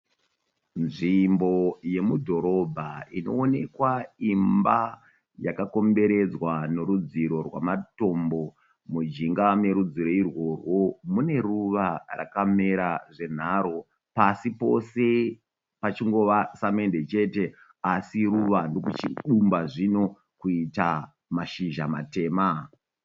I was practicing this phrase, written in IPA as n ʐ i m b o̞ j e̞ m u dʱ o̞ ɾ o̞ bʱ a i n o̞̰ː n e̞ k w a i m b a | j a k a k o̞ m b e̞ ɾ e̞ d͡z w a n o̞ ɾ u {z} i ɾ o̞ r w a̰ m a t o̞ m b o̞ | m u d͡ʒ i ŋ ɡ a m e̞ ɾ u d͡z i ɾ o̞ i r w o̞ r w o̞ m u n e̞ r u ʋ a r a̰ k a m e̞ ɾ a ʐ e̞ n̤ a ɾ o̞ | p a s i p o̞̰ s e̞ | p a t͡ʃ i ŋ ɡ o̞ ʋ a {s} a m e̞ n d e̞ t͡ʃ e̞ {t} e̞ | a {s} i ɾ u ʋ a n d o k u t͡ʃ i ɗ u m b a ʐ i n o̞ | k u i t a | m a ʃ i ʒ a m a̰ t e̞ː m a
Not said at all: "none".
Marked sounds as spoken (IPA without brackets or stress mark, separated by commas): d͡z, s, t, s